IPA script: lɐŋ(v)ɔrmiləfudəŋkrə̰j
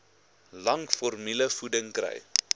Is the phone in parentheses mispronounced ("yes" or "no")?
yes